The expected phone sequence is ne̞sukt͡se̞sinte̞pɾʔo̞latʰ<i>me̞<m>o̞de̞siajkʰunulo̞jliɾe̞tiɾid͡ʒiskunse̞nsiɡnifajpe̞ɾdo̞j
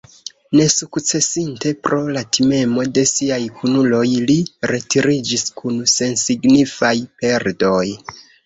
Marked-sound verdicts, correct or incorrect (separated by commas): correct, correct